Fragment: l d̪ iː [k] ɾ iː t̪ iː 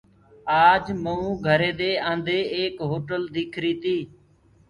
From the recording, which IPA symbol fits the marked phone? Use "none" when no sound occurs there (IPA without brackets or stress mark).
kʰ